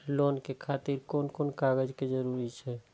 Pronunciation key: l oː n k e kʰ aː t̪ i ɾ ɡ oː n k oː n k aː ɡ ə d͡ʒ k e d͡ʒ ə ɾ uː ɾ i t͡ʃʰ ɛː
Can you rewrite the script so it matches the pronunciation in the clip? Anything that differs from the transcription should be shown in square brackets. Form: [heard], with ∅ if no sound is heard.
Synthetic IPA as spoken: l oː n k e kʰ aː t̪ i ɾ [k] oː n k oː n k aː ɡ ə d͡ʒ k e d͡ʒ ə ɾ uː ɾ i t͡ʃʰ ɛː